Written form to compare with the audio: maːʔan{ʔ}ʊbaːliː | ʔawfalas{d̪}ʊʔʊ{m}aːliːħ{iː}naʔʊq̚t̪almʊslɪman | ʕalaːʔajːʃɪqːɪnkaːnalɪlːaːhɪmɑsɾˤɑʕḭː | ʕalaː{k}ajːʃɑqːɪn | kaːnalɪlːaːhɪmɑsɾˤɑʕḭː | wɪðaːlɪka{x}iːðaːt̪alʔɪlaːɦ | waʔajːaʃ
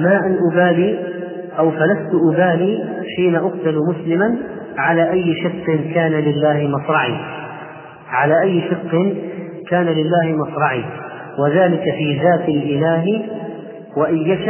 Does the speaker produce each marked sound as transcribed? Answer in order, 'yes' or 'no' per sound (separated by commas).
yes, no, no, yes, no, no